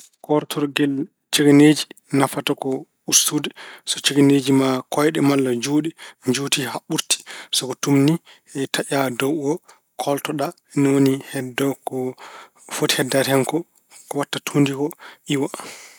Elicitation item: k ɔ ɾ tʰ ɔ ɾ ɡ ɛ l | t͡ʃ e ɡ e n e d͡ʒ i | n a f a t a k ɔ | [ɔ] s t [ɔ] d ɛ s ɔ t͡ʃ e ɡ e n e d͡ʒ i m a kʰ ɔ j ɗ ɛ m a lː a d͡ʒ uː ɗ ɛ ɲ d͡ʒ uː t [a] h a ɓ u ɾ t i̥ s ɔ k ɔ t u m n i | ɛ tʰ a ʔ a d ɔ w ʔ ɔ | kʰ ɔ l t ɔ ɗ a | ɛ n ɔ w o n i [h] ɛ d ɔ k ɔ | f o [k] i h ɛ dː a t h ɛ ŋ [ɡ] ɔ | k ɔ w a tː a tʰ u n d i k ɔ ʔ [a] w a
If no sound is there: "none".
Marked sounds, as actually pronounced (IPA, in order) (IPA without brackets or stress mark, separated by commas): u, u, i, h, t, k, i